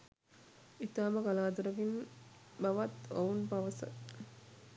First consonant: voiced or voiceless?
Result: voiceless